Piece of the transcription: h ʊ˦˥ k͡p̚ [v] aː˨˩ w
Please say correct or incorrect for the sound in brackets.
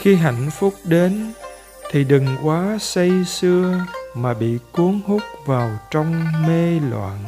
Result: correct